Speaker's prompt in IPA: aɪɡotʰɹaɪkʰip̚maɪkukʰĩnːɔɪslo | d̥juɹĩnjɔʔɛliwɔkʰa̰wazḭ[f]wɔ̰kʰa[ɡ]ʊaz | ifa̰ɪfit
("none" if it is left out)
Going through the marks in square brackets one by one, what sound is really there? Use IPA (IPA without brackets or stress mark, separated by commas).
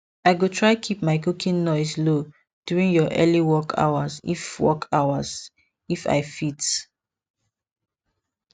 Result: f, none